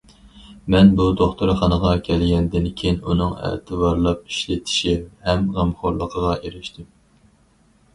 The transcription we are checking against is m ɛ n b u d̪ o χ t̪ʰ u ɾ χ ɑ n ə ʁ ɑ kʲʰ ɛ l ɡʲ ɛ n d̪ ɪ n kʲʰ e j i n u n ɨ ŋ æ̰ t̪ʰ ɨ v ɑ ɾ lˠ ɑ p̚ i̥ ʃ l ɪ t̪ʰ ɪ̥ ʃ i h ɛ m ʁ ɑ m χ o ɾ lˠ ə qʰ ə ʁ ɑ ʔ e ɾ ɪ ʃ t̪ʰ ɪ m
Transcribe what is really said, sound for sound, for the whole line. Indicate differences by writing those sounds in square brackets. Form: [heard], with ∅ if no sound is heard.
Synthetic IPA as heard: m ɛ n b u d̪ o χ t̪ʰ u ɾ χ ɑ n ə ʁ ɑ kʲʰ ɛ l ɡʲ ɛ n d̪ ɪ n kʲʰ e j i n u n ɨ ŋ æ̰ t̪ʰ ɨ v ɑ ɾ lˠ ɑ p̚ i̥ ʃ l ɪ t̪ʰ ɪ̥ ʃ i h ɛ m ʁ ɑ m χ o ɾ lˠ ə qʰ ə ʁ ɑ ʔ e ɾ ɪ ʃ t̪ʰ ɪ m